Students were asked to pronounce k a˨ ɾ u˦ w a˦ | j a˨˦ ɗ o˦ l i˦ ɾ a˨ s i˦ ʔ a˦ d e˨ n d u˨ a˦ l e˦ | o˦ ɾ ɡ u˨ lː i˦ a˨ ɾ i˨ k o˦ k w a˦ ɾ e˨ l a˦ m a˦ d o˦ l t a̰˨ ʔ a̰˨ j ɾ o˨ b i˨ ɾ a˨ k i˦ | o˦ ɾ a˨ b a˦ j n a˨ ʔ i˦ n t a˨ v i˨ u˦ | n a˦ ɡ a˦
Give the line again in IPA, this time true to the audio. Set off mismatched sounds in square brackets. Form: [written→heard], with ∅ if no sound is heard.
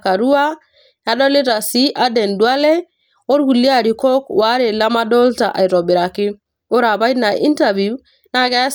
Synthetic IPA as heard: k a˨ ɾ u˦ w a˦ | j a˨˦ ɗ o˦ l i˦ ɾ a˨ s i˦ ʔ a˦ d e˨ n d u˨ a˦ l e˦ | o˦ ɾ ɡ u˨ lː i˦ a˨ ɾ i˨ k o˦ k w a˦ ɾ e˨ l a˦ m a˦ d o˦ l t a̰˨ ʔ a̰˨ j ɾ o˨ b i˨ ɾ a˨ k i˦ | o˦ ɾ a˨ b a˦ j n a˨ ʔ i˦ n t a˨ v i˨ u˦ | n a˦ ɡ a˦

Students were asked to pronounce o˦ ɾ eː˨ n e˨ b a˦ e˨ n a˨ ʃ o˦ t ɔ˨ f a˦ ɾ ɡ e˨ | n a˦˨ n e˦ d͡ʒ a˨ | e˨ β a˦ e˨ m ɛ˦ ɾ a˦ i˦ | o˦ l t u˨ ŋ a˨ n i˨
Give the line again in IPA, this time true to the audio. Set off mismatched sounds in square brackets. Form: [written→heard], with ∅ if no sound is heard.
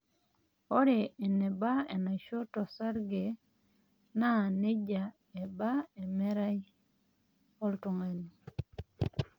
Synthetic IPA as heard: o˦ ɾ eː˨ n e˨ b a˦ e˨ n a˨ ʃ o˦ t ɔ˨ [f→s] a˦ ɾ ɡ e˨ | n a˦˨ n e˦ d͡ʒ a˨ | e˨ [β→b] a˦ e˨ m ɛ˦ ɾ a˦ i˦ | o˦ l t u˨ ŋ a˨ n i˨

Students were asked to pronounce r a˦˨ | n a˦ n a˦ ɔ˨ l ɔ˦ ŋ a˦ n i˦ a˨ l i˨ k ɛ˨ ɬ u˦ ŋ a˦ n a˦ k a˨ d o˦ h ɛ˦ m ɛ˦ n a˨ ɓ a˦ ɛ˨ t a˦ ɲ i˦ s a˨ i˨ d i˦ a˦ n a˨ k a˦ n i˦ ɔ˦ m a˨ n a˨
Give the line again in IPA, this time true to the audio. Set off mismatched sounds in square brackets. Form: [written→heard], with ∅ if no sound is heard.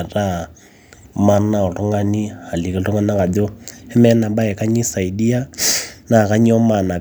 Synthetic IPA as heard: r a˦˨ | [n→m] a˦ n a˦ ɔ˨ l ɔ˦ ŋ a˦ n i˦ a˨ l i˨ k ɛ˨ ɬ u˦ ŋ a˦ n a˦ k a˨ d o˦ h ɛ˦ m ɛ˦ n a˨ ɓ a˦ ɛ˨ [t→k] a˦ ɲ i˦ s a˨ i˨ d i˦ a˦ n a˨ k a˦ [n→ɲ] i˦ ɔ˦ m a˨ n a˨

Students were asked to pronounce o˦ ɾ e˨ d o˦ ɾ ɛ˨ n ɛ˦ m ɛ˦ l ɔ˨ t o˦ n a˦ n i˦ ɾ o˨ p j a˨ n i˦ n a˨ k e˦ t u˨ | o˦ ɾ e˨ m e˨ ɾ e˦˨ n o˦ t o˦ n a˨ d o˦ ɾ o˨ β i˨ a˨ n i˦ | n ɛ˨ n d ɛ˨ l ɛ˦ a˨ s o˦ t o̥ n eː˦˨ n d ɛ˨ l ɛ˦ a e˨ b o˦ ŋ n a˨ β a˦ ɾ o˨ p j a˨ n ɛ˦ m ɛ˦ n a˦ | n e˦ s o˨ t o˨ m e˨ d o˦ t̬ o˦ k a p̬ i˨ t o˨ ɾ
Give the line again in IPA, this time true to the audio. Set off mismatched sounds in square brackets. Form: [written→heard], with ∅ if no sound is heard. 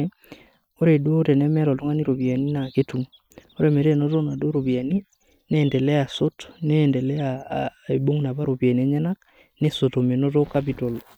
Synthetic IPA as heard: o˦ ɾ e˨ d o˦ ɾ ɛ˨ n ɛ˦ m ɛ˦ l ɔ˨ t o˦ [n→ŋ] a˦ n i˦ ɾ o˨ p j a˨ n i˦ n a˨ k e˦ t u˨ | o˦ ɾ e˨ m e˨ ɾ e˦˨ n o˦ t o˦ n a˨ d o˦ ɾ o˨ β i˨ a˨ n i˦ | n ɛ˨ n d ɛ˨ l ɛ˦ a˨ s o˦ t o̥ n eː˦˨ n d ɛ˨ l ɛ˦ a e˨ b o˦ ŋ n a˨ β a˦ ɾ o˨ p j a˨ n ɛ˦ [m→ɲ] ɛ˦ n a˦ | n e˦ s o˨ t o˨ m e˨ [d→n] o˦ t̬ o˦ k a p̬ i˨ t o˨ [ɾ→l]

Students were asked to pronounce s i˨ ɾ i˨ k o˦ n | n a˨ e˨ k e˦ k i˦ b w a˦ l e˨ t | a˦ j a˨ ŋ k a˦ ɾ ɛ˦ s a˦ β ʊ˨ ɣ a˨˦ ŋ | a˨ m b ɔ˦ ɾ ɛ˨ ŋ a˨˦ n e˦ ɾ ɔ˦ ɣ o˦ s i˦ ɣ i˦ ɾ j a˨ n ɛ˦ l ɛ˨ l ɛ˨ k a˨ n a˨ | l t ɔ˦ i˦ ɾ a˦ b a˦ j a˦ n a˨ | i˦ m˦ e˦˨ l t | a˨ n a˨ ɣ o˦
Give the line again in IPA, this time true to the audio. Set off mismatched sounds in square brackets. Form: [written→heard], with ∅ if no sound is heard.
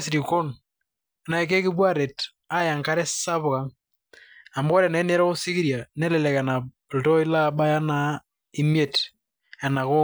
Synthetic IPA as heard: s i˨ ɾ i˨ k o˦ n | n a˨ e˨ k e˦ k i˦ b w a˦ [l→ɾ] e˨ t | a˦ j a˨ ŋ k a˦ ɾ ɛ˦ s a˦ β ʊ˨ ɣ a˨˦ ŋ | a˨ m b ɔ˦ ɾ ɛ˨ [ŋ→n] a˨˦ n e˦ ɾ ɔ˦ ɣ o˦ s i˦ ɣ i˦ ɾ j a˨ n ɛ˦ l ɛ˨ l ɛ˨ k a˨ n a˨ | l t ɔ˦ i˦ [ɾ→l] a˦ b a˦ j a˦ n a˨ | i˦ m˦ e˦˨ [l→∅] t | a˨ n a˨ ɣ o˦

